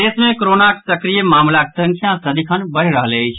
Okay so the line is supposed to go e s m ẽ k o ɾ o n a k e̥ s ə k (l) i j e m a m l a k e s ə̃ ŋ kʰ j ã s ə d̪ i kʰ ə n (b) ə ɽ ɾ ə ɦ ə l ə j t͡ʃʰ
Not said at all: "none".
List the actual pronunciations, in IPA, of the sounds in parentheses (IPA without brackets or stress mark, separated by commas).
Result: ɾ, b